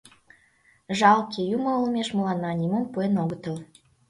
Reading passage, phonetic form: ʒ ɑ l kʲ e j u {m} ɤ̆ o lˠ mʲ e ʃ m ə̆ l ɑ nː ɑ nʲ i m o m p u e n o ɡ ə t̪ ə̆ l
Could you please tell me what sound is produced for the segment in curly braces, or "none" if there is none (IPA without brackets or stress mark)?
m